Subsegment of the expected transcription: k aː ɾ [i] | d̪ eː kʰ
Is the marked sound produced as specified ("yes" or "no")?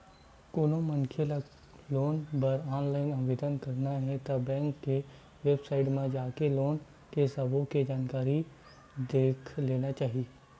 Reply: yes